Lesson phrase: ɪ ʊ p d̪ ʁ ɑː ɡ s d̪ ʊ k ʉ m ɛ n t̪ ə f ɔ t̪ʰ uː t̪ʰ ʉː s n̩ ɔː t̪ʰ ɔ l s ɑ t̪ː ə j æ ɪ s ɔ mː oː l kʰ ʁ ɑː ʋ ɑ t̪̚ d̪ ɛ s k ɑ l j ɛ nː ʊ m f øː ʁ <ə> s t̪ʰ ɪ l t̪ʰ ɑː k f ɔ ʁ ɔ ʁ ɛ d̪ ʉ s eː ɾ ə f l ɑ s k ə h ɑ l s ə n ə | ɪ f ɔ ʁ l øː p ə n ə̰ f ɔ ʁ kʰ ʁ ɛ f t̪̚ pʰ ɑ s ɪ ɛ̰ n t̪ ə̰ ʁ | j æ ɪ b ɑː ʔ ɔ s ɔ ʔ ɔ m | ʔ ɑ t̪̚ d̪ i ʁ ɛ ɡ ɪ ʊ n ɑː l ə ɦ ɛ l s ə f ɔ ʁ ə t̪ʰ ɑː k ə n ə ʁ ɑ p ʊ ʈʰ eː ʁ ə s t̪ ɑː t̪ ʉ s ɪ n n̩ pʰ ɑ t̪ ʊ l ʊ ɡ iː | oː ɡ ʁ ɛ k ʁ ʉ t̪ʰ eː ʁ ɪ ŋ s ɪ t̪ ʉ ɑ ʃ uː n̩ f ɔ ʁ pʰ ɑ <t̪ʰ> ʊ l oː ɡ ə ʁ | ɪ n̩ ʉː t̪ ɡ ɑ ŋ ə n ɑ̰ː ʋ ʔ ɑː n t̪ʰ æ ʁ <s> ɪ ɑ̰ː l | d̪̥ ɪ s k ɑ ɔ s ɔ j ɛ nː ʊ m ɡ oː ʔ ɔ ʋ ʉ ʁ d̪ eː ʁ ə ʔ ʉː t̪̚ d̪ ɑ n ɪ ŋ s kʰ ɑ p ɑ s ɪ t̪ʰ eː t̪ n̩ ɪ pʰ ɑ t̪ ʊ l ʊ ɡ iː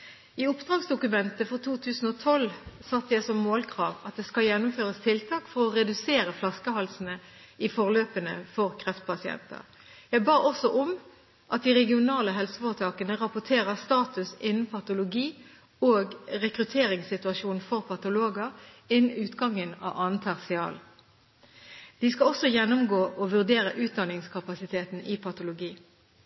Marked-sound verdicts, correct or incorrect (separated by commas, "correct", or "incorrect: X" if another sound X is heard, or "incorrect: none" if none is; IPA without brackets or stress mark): correct, incorrect: t̪, correct